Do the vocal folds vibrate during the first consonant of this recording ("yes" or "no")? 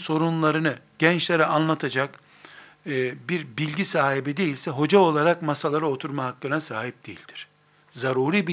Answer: no